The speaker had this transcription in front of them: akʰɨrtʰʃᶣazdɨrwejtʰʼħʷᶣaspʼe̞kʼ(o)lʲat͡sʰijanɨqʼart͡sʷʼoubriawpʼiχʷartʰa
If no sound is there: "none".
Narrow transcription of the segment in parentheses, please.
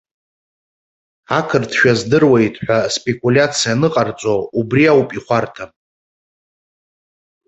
u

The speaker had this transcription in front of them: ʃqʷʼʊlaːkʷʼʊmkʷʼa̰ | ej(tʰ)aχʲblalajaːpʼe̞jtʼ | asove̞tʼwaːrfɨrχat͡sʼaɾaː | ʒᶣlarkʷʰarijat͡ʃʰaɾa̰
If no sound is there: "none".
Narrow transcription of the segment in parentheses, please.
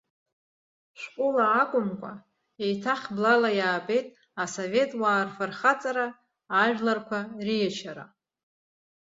tʰ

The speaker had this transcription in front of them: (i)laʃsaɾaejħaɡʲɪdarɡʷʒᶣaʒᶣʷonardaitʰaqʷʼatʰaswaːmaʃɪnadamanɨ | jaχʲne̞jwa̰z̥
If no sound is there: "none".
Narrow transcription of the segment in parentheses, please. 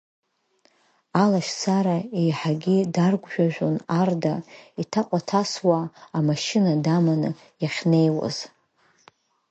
a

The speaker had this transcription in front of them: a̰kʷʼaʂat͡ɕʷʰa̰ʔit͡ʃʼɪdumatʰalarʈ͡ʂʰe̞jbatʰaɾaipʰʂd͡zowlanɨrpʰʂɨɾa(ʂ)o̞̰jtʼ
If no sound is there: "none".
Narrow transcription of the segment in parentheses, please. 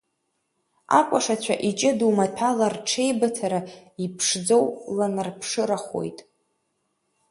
χ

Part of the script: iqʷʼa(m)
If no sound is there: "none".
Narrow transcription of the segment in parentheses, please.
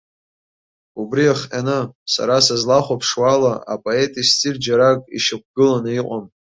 m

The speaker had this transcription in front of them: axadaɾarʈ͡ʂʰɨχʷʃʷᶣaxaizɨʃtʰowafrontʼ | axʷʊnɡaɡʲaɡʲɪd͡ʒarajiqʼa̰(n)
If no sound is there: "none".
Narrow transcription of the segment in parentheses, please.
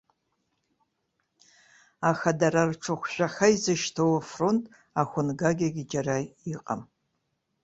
m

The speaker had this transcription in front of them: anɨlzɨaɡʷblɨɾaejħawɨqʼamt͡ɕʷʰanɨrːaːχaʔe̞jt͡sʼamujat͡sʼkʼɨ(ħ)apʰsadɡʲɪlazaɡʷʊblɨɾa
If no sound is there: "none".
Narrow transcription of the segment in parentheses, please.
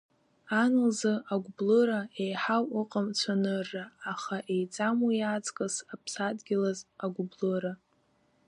s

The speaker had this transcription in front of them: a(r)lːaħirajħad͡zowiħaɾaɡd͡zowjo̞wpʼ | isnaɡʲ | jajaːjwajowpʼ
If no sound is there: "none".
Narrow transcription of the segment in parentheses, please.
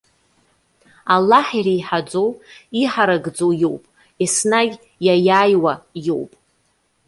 none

